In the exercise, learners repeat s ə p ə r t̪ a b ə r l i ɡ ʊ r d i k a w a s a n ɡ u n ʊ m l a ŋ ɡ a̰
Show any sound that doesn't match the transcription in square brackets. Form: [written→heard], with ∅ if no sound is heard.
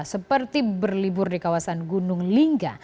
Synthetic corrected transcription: s ə p ə r t̪ [a→i] b ə r l i [ɡ→b] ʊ r d i k a w a s a n ɡ u n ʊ [m→ŋ] l [a→i] ŋ ɡ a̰